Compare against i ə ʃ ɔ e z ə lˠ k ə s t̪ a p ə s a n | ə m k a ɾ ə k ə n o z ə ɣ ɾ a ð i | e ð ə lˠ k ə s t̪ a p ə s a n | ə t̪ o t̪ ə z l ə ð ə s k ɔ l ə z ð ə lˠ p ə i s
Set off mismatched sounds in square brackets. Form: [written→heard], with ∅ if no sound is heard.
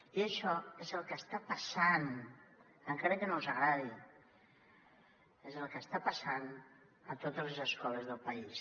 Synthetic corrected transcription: i ə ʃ ɔ e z ə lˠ k ə s t̪ a p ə s a n | ə [m→ŋ] k a ɾ ə k ə n o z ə ɣ ɾ a ð i | e [ð→z] ə lˠ k ə s t̪ a p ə s a n | ə t̪ o t̪ ə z l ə [ð→z] ə s k ɔ l ə z ð ə lˠ p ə i s